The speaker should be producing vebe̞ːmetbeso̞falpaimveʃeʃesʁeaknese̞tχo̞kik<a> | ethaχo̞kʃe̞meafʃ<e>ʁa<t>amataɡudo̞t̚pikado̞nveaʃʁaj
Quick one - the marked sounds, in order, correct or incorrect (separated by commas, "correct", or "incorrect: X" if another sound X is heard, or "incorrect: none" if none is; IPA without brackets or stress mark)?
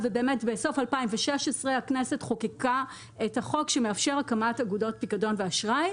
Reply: correct, correct, incorrect: k